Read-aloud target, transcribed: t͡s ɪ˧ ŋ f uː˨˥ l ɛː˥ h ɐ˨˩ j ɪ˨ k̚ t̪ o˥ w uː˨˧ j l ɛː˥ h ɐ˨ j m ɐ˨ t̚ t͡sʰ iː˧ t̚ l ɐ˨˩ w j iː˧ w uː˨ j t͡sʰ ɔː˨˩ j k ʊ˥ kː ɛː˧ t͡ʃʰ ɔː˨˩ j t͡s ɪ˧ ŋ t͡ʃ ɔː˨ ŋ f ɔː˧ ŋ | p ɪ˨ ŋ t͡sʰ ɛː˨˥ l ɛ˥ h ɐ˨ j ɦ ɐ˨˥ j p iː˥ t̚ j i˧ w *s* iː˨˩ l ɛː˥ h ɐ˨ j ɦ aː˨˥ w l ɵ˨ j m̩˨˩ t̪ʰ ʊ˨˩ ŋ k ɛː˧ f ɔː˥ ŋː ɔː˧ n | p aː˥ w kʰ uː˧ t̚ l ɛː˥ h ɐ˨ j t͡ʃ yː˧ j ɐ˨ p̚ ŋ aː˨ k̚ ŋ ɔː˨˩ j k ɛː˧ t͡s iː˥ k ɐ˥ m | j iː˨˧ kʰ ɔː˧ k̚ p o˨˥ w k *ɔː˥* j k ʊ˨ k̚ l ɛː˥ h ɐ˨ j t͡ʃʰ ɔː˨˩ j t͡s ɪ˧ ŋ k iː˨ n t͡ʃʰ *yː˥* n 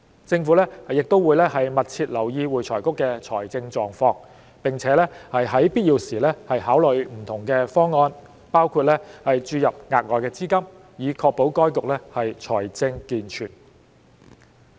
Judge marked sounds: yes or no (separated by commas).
yes, yes, no